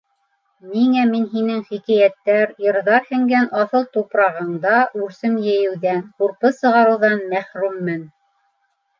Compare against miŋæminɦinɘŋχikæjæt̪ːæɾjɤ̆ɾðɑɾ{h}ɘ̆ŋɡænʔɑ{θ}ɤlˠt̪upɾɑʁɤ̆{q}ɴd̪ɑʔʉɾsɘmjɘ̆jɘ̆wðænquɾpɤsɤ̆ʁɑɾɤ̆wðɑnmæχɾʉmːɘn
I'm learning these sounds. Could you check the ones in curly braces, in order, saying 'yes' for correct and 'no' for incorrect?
yes, yes, no

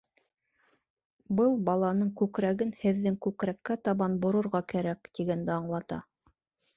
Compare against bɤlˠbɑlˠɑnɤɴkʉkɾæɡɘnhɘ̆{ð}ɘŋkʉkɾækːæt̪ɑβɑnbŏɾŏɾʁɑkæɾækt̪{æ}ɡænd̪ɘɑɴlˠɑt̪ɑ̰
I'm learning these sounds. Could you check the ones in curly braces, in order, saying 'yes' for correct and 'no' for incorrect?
no, no

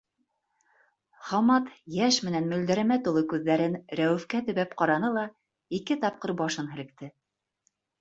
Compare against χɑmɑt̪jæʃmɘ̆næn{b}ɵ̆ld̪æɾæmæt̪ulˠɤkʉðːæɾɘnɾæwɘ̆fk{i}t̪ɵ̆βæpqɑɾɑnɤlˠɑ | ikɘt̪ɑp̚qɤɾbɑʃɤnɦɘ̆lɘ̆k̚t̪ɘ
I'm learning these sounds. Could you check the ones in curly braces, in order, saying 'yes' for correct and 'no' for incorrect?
no, no

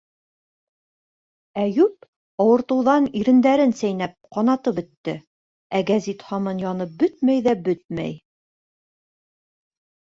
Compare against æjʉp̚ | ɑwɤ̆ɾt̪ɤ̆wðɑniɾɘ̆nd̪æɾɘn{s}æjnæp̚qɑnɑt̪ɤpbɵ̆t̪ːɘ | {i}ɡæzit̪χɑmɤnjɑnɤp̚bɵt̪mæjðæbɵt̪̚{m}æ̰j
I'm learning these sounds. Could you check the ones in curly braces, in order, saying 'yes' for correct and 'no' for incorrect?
yes, no, yes

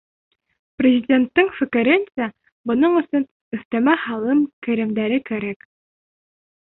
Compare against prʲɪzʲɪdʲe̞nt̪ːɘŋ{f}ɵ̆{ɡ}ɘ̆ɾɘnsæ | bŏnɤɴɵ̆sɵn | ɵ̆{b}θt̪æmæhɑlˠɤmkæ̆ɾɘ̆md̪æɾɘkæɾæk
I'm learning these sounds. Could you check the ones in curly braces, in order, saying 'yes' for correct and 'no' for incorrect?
yes, no, no

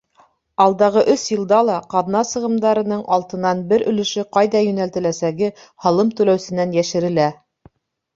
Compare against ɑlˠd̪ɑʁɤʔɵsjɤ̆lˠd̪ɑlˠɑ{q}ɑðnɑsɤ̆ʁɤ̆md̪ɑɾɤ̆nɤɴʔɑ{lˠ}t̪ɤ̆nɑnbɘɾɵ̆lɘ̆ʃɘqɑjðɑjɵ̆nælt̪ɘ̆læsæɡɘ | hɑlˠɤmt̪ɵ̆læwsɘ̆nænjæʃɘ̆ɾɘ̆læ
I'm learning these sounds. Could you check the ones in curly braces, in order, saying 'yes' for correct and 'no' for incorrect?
yes, yes

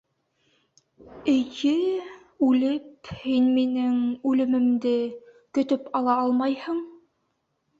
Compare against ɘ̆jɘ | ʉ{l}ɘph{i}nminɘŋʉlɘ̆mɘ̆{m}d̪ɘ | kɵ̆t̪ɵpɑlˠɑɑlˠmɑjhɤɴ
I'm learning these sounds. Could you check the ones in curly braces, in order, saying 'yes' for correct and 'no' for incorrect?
yes, yes, yes

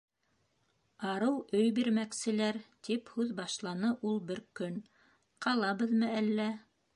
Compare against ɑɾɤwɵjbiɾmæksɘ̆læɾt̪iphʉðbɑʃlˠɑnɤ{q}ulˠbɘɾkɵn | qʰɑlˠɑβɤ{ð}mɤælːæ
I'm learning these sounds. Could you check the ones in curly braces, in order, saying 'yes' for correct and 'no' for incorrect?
no, yes

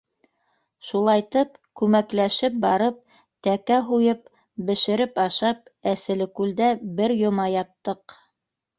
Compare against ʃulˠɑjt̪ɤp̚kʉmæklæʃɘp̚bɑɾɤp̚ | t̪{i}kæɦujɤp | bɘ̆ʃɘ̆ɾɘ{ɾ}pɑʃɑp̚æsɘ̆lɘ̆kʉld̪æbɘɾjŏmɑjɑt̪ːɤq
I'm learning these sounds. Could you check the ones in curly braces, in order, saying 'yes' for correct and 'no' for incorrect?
no, no

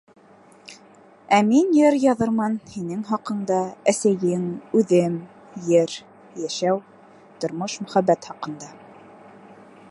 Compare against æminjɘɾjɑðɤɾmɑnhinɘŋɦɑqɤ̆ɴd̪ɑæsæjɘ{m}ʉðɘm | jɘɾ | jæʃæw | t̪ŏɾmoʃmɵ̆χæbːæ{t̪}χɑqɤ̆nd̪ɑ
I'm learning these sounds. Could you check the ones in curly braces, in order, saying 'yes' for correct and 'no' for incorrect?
no, yes

